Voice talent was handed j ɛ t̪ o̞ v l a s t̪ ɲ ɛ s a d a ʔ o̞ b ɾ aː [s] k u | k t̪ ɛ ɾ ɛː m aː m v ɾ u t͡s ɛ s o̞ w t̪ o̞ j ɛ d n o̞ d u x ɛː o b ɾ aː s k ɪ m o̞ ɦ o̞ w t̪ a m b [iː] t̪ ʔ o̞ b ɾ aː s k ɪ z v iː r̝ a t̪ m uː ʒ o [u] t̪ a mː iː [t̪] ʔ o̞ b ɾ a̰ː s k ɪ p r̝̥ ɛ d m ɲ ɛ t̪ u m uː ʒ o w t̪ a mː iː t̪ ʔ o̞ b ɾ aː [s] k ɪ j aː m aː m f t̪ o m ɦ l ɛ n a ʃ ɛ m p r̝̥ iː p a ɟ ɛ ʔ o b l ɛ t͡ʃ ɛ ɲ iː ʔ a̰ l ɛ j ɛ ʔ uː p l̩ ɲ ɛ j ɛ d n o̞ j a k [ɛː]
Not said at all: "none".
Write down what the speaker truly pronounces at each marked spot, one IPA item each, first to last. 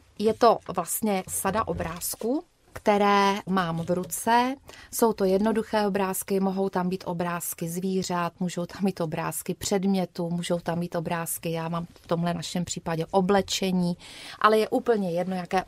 s, iː, w, t̪, s, ɛː

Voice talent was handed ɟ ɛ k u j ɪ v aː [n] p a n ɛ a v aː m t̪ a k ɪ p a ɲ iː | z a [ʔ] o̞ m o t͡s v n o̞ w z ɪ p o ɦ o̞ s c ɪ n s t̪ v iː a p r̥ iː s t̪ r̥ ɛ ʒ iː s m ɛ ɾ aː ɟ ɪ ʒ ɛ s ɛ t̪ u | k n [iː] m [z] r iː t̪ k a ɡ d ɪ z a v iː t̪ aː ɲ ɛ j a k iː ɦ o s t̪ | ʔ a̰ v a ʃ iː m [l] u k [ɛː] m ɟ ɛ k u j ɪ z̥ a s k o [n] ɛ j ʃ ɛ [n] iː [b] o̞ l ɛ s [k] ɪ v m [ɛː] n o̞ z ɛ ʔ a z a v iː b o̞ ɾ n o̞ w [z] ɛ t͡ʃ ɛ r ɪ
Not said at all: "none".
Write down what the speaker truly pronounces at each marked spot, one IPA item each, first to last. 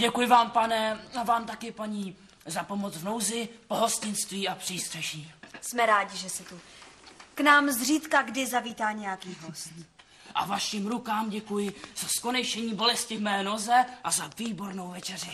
m, p, aː, z, ɾ, aː, n, ɲ, b, c, ɛː, v

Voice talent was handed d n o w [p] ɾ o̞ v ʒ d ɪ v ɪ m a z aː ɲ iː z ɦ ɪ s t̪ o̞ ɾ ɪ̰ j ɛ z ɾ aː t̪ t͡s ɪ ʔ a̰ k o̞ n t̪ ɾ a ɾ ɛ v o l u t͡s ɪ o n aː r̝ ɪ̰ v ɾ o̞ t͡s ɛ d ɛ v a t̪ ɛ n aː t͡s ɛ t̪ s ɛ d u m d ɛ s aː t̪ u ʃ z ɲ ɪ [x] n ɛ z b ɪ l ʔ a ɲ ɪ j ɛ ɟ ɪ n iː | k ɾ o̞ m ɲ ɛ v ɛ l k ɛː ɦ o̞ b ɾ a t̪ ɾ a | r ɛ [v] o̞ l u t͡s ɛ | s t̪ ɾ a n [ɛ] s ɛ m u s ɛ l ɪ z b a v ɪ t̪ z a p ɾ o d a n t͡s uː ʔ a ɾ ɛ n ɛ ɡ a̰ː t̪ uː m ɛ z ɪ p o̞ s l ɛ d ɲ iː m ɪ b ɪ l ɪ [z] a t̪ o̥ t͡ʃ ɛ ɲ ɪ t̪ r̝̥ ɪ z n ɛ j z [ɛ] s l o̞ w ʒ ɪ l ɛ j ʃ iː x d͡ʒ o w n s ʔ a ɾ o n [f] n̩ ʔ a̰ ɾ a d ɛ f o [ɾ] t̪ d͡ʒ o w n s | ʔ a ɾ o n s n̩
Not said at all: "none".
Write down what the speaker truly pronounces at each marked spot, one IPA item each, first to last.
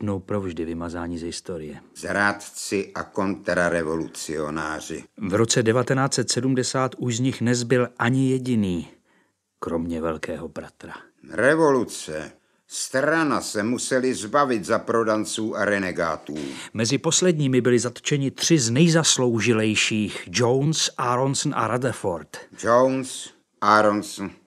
p, x, v, a, z, a, s, ɾ

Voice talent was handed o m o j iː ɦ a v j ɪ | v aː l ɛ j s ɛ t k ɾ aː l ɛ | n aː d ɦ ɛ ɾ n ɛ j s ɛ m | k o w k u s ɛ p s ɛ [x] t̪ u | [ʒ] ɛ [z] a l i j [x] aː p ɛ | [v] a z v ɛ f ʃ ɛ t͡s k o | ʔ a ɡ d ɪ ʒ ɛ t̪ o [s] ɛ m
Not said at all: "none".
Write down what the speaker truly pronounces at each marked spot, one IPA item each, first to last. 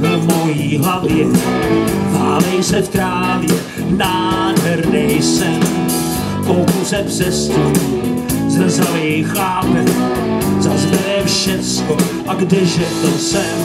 s, z, z, x, z, s

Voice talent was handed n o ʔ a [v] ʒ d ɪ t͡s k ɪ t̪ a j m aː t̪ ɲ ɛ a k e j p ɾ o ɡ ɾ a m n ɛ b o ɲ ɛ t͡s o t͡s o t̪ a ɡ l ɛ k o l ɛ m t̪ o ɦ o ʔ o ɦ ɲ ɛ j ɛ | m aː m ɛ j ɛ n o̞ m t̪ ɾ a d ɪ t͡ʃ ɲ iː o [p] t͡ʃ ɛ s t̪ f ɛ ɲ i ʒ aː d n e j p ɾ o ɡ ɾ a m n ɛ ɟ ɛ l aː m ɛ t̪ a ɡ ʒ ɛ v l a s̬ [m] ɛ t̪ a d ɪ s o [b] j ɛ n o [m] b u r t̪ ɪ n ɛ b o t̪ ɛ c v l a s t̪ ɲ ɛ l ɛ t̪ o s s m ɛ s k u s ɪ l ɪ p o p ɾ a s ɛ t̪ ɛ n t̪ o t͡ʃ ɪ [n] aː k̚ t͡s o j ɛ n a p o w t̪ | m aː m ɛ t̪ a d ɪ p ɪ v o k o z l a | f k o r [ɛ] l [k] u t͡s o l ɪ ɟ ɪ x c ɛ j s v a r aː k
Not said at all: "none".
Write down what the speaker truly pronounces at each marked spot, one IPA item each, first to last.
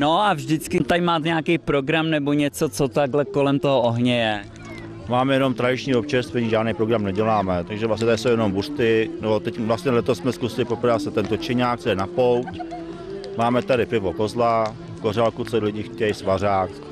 v, p, ɲ, w, m, ɲ, a, k

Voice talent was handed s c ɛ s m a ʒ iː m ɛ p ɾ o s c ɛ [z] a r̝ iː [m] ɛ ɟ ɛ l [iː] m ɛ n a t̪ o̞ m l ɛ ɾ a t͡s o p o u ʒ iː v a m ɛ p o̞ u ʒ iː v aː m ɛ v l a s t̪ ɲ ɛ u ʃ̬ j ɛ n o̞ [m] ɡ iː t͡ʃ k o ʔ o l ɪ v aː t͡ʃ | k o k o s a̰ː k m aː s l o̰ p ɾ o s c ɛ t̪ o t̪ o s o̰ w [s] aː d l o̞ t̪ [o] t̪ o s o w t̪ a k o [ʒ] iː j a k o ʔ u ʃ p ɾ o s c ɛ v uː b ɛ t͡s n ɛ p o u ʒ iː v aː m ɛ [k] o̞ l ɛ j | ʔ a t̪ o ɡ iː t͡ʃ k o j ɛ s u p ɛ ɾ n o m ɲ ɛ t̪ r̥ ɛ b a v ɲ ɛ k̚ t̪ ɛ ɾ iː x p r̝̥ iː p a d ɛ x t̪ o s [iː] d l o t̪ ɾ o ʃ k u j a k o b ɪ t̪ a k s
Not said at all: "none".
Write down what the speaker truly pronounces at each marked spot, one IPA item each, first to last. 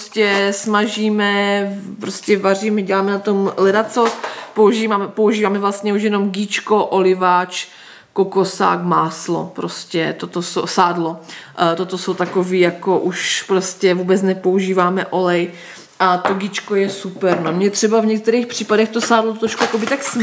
v, m, aː, m, s, o, v, ʔ, aː

